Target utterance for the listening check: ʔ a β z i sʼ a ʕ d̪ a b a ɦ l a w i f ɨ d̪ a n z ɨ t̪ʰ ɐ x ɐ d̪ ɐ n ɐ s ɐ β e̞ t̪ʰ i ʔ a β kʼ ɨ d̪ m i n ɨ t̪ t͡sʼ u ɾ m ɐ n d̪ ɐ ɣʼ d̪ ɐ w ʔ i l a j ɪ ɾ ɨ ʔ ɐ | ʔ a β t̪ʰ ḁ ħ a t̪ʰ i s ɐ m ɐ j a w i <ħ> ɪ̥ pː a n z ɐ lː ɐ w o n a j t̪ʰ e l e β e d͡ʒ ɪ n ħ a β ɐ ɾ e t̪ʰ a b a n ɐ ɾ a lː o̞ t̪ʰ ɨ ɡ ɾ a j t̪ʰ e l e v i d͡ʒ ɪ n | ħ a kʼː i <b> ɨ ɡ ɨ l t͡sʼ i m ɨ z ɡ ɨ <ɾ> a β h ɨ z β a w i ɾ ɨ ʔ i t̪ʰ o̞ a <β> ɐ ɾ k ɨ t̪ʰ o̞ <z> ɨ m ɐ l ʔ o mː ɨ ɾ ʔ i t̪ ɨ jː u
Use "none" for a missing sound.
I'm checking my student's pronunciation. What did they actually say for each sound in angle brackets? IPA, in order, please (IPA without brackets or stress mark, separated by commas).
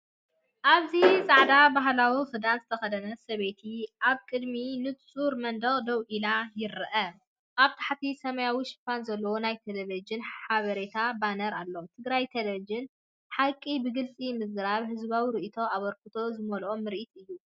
ʃ, b, ɾ, β, z